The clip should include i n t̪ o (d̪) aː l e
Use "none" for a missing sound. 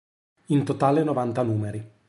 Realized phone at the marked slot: t̪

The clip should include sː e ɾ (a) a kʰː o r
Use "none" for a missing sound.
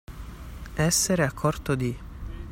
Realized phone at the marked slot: e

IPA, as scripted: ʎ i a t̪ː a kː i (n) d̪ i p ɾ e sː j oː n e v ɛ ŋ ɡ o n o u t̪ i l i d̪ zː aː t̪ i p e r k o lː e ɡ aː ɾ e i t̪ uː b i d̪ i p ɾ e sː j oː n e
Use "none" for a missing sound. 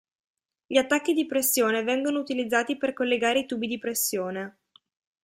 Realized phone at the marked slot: none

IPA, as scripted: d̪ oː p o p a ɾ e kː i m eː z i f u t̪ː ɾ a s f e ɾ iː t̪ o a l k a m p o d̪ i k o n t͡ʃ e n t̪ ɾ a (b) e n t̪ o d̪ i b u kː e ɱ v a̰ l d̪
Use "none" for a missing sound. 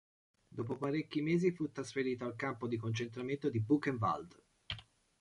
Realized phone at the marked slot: m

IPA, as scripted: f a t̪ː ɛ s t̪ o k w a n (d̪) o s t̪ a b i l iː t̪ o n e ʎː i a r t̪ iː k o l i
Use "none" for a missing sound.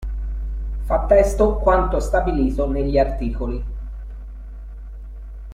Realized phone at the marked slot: t̪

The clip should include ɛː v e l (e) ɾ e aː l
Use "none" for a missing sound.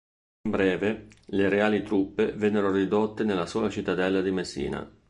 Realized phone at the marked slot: e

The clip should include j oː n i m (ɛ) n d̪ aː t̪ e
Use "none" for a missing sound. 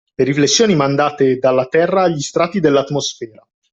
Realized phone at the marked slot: a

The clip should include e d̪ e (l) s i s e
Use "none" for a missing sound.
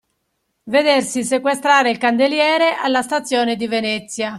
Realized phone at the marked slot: r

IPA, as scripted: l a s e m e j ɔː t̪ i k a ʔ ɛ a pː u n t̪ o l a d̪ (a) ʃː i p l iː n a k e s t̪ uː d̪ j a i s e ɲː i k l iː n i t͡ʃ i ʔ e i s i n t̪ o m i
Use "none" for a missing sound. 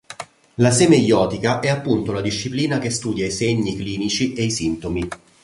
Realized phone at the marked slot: i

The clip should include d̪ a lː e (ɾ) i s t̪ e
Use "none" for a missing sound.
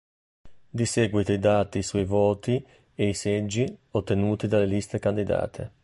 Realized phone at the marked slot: l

